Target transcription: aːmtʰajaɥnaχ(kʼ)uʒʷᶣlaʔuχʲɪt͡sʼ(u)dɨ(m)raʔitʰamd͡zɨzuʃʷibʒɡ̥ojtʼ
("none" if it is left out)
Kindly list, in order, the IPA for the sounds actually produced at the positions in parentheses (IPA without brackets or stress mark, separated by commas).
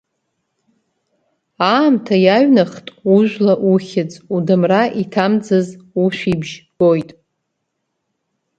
tʼ, u, m